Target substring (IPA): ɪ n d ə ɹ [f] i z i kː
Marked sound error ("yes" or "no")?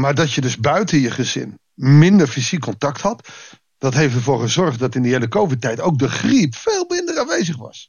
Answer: no